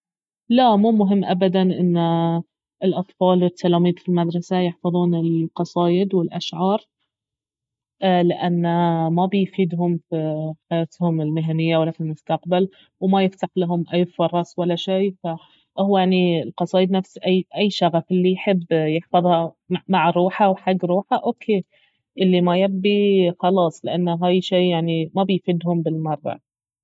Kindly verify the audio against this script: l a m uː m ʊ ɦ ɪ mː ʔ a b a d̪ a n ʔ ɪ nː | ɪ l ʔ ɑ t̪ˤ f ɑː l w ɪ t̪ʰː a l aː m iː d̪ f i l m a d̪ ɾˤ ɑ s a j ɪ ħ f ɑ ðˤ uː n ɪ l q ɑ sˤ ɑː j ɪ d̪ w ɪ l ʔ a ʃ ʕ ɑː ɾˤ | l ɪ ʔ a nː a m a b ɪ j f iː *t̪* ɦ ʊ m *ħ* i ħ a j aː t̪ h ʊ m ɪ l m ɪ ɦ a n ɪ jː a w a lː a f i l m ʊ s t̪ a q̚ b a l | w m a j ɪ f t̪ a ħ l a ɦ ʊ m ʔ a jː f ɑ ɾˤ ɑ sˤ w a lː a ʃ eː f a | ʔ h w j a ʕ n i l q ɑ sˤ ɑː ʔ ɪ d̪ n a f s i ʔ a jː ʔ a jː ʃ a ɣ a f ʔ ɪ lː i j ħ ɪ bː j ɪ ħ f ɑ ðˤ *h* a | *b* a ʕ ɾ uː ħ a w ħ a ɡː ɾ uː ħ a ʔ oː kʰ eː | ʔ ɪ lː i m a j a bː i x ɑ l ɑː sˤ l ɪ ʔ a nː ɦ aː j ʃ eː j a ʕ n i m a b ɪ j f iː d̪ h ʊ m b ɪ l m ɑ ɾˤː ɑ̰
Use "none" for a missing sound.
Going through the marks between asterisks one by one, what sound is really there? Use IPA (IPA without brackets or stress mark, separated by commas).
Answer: d̪, f, h, m